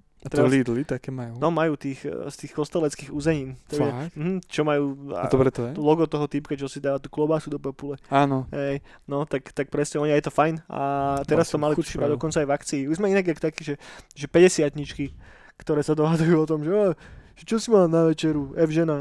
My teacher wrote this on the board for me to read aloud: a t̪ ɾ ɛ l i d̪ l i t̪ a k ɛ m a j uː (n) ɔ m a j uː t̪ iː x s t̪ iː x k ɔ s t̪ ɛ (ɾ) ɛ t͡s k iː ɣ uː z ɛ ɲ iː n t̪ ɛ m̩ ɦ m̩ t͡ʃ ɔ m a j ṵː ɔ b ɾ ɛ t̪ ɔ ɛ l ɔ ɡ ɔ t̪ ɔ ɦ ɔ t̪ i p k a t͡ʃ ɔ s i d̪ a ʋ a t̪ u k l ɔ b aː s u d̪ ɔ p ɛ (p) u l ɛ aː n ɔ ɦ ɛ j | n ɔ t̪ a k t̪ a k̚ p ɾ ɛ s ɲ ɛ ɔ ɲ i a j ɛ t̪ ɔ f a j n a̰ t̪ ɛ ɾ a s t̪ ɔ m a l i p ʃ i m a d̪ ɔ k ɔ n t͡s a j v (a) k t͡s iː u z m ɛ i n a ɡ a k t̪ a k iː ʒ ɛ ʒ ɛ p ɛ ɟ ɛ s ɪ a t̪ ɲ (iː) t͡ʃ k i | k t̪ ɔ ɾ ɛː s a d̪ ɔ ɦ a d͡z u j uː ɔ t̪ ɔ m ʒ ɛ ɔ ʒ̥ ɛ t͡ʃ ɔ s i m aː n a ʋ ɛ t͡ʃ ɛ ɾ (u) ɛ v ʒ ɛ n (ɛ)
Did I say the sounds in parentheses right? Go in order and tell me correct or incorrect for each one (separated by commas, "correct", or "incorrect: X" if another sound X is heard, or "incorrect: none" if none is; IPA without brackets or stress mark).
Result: correct, incorrect: l, correct, correct, incorrect: i, correct, incorrect: a